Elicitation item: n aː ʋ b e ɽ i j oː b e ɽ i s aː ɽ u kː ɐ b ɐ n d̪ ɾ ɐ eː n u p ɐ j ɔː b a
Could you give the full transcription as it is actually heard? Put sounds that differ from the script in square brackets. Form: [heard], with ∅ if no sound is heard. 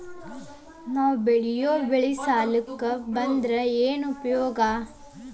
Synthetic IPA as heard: n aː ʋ b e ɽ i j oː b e [ɭ] i s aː [l] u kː ɐ b ɐ n d̪ ɾ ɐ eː n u p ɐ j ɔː [ɡ] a